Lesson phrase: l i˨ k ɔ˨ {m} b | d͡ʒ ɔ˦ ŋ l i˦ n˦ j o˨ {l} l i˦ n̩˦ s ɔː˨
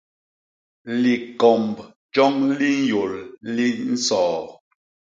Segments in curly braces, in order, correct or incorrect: correct, correct

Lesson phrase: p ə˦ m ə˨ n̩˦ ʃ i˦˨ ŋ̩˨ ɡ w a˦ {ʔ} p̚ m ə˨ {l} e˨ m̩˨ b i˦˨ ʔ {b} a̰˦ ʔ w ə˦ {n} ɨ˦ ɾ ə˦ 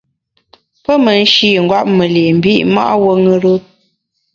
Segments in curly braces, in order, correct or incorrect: incorrect: none, correct, incorrect: m, incorrect: ŋ

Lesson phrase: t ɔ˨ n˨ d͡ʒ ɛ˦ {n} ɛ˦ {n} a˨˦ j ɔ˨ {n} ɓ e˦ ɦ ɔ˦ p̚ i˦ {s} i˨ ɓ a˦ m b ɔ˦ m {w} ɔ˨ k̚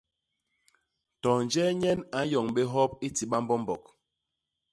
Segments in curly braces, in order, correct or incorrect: incorrect: ɲ, correct, incorrect: ŋ, incorrect: t, incorrect: b

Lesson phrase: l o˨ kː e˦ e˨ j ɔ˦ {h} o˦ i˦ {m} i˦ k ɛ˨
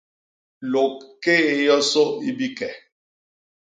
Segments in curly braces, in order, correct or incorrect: incorrect: s, incorrect: b

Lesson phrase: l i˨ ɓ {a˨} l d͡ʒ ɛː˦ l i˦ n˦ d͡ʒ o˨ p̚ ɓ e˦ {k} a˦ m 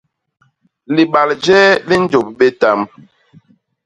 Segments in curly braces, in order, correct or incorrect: correct, incorrect: t

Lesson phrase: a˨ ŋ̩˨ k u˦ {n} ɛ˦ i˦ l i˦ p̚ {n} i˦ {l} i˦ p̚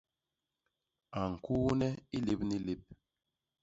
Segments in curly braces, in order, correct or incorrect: correct, correct, correct

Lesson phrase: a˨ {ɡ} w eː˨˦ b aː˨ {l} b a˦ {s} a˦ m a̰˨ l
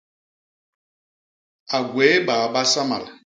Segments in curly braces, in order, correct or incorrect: correct, incorrect: none, correct

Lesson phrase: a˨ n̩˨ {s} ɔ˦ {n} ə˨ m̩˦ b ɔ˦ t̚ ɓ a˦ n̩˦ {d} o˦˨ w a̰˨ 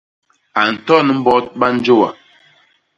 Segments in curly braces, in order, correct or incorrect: incorrect: t, correct, incorrect: d͡ʒ

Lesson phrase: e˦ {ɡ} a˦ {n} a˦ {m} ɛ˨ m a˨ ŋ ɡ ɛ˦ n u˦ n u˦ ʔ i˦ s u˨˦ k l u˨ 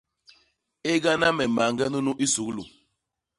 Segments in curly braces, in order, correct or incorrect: correct, correct, correct

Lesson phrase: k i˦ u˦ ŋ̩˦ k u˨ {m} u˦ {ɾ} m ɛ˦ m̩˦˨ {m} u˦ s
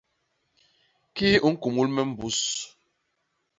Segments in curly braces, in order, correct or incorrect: correct, incorrect: l, incorrect: b

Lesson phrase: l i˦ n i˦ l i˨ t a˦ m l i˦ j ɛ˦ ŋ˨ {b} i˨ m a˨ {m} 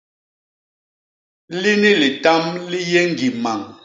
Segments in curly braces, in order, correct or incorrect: incorrect: ɡ, incorrect: ŋ

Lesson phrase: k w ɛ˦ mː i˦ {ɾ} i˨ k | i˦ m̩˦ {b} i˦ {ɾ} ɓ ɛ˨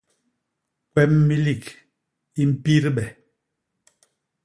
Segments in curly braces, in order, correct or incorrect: incorrect: l, incorrect: p, correct

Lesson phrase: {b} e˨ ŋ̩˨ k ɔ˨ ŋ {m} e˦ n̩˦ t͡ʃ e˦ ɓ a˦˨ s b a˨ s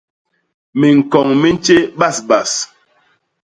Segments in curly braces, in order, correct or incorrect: incorrect: m, correct

